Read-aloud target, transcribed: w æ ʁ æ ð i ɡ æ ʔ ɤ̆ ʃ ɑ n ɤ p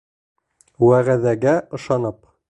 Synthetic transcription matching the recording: w æ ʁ æ ð æ ɡ æ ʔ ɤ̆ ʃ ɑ n ɤ p

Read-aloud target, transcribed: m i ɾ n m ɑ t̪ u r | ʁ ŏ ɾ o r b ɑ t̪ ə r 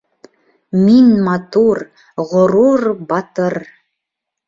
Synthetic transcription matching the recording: m i n m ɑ t̪ u r | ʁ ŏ ɾ u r b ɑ t̪ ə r

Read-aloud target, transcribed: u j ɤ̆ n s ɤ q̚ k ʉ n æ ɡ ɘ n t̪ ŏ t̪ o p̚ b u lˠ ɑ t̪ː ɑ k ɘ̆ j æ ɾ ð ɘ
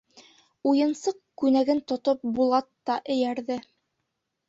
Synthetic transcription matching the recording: u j ɤ̆ n s ɤ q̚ k ʉ n æ ɡ ɘ n t̪ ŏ t̪ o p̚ b u lˠ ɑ t̪ː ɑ ʔ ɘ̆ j æ ɾ ð ɘ

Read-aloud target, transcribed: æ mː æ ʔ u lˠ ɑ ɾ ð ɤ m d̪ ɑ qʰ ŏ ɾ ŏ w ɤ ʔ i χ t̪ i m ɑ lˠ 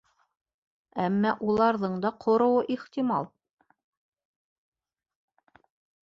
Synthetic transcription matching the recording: æ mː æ ʔ u lˠ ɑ ɾ ð ɤ ɴ d̪ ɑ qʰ ŏ ɾ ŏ w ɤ ʔ i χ t̪ i m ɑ lˠ

